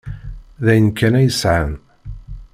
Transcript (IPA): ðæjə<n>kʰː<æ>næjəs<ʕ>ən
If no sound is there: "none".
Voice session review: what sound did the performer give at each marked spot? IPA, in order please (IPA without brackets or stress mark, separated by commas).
n, æ, ʕ